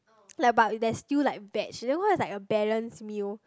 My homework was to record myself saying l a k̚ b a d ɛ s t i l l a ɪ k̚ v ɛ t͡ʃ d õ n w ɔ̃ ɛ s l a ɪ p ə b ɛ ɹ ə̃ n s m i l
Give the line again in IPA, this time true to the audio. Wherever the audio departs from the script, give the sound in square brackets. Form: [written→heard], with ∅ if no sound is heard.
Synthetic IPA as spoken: l a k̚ b a d ɛ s t i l l a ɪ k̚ v ɛ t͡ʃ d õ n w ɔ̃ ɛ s l a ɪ [p→k] ə b ɛ ɹ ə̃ n s m i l